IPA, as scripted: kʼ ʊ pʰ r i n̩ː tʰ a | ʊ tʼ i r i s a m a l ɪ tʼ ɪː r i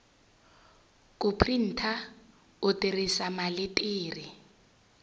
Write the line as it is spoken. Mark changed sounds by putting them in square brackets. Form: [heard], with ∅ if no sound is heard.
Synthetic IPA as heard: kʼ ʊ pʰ r i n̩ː tʰ a | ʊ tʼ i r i s a m a l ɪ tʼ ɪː r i